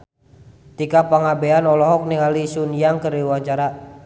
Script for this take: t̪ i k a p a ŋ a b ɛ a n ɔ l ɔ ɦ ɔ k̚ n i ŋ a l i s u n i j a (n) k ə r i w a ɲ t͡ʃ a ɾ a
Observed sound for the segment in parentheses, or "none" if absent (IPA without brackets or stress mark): ŋ